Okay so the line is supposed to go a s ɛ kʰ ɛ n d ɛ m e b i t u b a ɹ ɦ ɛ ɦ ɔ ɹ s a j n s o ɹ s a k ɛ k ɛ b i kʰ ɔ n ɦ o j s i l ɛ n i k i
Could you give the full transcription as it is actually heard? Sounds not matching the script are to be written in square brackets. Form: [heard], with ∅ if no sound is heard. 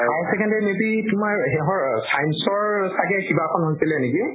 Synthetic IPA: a s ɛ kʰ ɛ n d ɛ m e b i t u [m] a ɹ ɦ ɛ ɦ ɔ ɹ s a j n s [ɔ] ɹ s a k ɛ k [i] b [a] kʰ ɔ n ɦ o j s i l ɛ n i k i